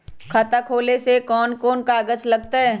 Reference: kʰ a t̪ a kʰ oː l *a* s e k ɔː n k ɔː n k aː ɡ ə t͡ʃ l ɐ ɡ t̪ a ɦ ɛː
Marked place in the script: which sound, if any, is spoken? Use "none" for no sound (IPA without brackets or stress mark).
e